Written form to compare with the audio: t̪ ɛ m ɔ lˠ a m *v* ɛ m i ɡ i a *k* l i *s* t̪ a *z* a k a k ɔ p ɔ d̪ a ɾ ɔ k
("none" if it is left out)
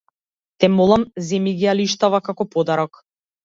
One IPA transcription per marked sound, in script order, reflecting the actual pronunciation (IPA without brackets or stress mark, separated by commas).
z, none, ʃ, v